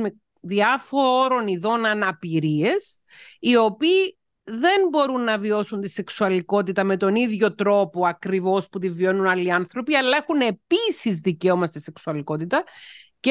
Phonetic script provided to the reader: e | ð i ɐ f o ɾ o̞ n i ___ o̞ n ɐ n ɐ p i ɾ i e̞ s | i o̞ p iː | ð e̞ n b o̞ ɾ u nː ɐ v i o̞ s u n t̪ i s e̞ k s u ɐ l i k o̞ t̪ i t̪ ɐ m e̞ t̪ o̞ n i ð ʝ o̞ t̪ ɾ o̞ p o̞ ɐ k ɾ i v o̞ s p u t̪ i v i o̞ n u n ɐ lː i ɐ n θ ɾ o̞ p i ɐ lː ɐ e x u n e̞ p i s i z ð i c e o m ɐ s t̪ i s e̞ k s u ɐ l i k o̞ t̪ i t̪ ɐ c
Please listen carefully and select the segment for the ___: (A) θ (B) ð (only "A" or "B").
B